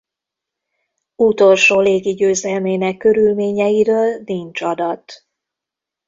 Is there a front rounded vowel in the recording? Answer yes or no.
yes